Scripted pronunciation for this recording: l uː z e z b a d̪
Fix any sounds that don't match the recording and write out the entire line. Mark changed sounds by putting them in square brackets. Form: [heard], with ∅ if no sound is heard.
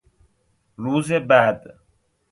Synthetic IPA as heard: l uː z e [∅] b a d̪